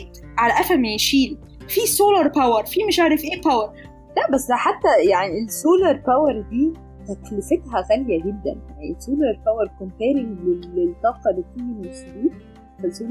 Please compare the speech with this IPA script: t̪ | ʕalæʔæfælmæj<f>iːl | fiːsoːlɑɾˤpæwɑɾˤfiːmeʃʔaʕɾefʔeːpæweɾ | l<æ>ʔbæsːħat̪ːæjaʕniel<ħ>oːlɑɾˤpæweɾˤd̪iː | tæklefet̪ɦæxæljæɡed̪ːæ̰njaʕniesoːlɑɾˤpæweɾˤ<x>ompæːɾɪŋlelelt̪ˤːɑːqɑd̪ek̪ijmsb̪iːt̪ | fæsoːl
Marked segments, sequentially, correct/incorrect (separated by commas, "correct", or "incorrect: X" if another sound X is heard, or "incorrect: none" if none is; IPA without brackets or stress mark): incorrect: ʃ, correct, incorrect: s, incorrect: k